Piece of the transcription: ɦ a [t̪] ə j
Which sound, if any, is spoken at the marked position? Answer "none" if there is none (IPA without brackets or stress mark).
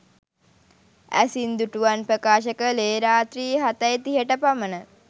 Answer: t̪